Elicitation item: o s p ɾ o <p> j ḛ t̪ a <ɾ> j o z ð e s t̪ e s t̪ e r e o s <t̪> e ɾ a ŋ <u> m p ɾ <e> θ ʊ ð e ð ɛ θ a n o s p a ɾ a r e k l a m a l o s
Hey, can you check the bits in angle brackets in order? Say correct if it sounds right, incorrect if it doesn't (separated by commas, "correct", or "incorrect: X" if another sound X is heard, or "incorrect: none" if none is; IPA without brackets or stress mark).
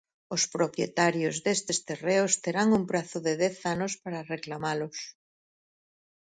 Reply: correct, correct, correct, correct, incorrect: a